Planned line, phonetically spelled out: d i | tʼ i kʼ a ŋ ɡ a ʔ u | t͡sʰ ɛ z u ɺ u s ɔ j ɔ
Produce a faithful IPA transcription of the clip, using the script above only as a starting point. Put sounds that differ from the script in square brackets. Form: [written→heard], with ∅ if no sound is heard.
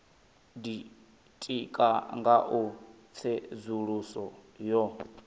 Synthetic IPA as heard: d i | tʼ i kʼ a ŋ ɡ a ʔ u | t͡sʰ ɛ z u ɺ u s ɔ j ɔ

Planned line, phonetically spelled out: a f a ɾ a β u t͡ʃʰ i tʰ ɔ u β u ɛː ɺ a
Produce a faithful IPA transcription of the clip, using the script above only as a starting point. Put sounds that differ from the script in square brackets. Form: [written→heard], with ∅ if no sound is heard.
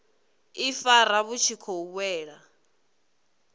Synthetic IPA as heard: [a→i] f a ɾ a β u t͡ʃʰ i [tʰ→kʰ] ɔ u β [u→w] ɛː ɺ a

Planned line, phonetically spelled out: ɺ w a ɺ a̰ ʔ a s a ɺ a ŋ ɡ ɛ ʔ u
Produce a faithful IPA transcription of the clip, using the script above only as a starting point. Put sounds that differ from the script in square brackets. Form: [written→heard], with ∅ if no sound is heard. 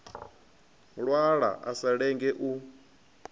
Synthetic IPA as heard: ɺ w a ɺ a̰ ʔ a s a ɺ [a→ɛ] ŋ ɡ ɛ ʔ u

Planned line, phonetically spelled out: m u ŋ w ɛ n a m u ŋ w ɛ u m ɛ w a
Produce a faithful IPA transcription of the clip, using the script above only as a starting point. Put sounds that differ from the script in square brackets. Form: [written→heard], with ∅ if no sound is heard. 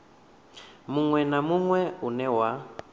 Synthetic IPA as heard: m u ŋ w ɛ n a m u ŋ w ɛ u [m→n] ɛ w a

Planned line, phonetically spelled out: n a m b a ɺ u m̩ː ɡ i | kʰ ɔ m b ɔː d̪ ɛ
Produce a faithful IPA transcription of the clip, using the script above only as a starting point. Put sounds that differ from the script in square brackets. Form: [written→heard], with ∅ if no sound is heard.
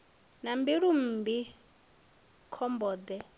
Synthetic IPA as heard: n a m b [a→i] ɺ u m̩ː [ɡ→b] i | kʰ ɔ m b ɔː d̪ ɛ

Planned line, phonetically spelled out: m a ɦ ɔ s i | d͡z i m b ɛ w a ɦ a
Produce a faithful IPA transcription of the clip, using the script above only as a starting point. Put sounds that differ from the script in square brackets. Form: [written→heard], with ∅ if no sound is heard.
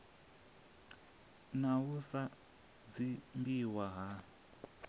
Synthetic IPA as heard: [m→n] a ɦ [ɔ→u] s [i→a] | d͡z i m b [ɛ→i] w a ɦ a

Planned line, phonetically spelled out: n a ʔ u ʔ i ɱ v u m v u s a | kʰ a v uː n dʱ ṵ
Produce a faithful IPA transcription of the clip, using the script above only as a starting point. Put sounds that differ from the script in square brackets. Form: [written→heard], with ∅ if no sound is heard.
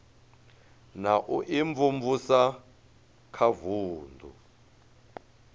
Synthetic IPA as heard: n a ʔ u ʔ i ɱ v u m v u s a | kʰ a v uː n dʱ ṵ

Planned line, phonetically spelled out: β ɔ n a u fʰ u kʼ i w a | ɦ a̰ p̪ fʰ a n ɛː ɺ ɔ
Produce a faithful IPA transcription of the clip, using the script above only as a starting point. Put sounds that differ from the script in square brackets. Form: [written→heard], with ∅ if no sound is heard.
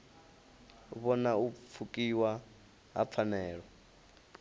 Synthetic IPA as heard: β ɔ n a u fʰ u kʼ i w a | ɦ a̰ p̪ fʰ a n ɛː ɺ ɔ

